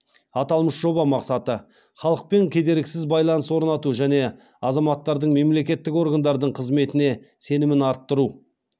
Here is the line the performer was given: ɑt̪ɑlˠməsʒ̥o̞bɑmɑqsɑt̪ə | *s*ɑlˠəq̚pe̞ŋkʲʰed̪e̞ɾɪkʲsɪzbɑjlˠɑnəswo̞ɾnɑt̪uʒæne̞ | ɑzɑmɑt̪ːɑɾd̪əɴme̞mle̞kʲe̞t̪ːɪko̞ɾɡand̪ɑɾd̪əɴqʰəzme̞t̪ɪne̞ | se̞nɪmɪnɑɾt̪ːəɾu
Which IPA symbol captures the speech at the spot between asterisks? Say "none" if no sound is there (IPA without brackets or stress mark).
χ